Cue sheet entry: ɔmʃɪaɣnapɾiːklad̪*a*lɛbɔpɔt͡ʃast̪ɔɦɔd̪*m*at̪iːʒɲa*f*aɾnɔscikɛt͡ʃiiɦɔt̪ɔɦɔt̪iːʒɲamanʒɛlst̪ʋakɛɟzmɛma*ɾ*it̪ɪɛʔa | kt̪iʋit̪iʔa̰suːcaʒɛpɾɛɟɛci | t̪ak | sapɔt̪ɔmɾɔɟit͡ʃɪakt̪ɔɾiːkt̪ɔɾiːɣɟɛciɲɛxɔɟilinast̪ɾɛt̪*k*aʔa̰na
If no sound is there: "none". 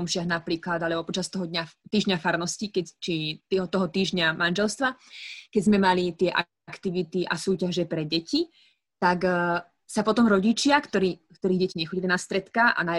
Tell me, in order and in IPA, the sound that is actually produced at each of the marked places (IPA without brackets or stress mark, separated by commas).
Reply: a, ɲ, f, l, k